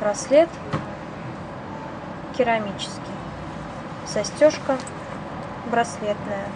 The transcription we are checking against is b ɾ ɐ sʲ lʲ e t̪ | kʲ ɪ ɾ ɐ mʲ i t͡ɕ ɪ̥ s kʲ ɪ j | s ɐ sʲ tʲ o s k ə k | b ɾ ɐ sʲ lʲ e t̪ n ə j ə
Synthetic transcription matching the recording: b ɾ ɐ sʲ lʲ e t̪ | kʲ ɪ ɾ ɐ mʲ i t͡ɕ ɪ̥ s kʲ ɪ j | s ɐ sʲ tʲ o ʂ k ə | b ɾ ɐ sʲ lʲ e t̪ n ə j ə